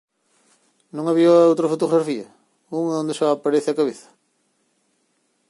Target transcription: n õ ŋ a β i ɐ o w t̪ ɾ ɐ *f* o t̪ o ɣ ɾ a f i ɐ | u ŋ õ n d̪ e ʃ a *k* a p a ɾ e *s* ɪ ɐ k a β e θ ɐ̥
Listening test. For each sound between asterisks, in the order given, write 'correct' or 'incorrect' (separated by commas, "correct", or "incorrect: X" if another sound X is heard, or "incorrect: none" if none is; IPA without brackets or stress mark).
correct, incorrect: none, incorrect: θ